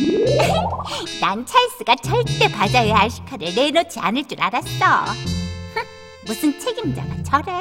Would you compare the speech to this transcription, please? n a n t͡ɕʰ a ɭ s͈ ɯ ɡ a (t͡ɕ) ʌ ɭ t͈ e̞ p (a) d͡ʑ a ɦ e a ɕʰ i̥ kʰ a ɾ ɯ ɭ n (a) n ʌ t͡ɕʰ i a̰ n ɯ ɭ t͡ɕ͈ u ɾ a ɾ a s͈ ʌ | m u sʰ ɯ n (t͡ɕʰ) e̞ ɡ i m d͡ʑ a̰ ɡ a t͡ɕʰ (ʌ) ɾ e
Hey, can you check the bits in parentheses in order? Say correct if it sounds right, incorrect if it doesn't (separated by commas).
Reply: correct, correct, incorrect, correct, correct